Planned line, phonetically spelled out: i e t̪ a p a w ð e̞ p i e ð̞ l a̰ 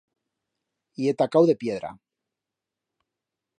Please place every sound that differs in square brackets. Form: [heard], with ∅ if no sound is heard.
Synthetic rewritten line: i e t̪ a [k] a w ð e̞ p [j] e ð̞ [ɾ] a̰